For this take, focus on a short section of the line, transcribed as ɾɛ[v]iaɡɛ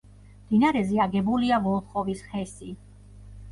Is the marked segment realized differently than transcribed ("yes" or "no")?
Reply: yes